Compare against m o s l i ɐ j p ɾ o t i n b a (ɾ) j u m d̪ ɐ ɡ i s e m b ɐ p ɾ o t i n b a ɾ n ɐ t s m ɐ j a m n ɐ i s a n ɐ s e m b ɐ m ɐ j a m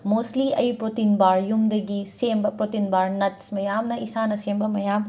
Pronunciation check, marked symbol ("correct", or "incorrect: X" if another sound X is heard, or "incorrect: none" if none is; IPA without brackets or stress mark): correct